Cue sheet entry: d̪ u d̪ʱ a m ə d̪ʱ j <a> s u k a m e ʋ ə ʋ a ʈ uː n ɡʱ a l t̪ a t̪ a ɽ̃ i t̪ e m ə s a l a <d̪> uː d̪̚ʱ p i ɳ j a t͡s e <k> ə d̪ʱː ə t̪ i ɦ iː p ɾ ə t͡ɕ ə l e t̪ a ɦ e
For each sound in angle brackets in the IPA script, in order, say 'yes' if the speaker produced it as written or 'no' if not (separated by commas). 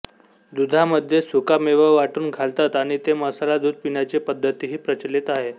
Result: no, yes, no